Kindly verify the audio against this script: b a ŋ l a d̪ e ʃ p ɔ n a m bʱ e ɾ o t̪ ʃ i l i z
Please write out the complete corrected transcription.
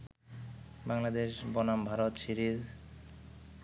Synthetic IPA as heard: b a ŋ l a d̪ e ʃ b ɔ n a m bʱ a ɾ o t̪ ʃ i ɾ i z